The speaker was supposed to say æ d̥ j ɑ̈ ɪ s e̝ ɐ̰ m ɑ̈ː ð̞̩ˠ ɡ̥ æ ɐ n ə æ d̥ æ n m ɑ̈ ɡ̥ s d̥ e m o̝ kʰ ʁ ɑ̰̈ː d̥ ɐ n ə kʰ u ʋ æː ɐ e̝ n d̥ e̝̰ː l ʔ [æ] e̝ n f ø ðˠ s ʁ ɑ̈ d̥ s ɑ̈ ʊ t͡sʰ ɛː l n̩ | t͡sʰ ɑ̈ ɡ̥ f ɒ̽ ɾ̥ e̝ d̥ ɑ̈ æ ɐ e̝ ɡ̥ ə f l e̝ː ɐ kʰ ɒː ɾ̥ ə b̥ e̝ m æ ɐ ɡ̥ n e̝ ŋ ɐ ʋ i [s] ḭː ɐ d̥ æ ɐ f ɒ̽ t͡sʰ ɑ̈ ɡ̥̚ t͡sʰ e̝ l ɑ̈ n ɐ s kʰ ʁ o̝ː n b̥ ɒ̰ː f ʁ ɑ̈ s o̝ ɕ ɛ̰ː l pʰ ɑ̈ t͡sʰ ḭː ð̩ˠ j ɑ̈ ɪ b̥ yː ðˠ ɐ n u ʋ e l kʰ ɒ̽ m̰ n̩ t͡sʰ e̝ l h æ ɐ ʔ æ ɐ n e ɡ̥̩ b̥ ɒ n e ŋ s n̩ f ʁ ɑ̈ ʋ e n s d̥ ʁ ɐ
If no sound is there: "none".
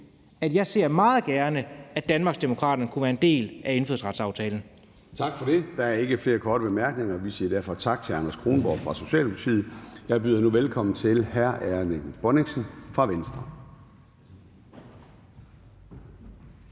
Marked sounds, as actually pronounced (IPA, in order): æ, s

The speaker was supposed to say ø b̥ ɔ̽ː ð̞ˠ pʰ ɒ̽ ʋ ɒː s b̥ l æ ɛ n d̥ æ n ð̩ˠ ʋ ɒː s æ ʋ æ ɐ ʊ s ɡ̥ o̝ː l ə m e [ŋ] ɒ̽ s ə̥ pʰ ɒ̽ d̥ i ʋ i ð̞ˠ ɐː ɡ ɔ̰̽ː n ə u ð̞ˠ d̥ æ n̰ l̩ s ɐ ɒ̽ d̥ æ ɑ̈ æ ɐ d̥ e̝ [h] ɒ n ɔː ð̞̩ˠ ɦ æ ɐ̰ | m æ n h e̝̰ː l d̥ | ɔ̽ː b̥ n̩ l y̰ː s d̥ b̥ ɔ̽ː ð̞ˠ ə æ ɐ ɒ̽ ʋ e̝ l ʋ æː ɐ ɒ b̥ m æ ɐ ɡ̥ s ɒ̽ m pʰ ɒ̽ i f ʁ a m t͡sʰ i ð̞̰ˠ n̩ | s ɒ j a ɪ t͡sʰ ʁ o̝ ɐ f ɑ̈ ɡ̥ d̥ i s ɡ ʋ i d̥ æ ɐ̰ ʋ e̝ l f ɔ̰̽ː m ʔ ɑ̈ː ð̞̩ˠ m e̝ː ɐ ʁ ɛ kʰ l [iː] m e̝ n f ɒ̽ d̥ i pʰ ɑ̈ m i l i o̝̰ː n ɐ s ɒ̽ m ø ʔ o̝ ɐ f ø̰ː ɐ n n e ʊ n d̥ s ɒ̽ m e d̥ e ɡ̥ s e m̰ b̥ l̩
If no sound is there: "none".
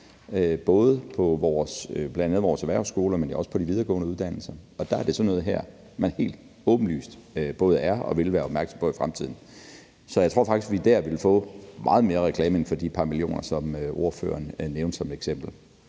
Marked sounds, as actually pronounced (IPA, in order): n, s, ɛː

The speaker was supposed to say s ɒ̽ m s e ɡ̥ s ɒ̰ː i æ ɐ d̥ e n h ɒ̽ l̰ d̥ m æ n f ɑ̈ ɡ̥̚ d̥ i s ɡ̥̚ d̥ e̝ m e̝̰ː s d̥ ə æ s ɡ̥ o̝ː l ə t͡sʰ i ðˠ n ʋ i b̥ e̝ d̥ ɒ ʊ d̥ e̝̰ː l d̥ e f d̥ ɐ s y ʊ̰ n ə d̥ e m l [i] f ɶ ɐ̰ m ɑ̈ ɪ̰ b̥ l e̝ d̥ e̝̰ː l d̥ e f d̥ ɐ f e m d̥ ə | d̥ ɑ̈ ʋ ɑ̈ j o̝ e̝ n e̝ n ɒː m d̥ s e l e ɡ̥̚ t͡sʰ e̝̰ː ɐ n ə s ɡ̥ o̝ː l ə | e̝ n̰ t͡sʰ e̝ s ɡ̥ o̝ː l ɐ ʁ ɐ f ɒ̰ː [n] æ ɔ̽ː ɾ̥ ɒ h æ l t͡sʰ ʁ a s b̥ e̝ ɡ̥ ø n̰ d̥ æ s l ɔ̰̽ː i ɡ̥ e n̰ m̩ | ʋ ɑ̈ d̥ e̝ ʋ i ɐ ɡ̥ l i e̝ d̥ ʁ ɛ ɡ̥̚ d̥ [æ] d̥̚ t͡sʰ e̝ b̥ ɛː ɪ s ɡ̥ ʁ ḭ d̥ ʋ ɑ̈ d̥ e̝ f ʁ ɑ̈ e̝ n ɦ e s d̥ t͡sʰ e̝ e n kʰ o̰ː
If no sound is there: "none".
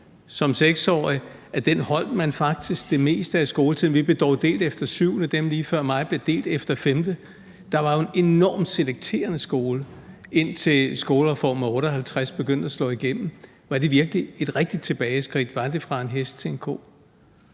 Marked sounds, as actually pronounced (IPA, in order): iː, m, i

